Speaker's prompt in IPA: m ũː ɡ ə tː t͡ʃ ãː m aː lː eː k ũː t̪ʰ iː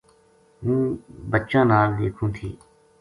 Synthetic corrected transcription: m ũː b ə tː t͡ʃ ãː n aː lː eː kʰ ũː t̪ʰ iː